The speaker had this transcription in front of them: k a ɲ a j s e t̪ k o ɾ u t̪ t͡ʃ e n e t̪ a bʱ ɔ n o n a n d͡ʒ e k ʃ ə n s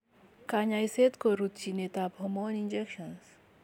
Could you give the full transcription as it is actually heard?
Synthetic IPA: k a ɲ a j s e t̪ k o ɾ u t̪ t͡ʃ i n e t̪ a bʱ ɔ m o n i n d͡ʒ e k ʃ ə n s